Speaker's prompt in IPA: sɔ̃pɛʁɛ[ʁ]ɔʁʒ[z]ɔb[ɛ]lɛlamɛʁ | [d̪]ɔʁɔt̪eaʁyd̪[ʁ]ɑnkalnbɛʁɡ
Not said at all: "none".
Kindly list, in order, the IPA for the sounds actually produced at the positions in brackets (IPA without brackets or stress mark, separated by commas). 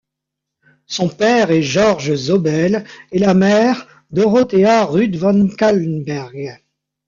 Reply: ʒ, z, ɛ, d̪, v